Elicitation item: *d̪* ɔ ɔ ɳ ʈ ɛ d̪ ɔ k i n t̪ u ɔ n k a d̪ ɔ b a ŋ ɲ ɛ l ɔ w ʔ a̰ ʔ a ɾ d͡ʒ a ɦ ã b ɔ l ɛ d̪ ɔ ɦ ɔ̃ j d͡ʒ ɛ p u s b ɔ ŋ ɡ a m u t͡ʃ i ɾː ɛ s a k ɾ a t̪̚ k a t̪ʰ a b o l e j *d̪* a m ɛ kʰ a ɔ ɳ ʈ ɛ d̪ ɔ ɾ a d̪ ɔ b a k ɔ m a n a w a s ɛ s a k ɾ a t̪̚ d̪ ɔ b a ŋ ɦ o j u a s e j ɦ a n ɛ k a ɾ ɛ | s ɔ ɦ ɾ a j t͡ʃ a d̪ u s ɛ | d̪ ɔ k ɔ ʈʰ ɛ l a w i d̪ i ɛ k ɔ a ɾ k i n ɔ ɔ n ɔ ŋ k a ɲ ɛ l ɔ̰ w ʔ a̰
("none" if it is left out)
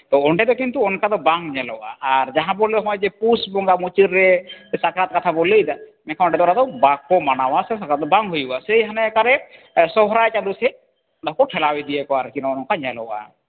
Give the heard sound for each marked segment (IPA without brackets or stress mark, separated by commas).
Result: t̪, d̪